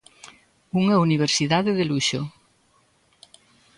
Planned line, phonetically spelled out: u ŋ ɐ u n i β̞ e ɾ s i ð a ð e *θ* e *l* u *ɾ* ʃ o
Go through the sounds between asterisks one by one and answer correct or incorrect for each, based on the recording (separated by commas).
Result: incorrect, correct, incorrect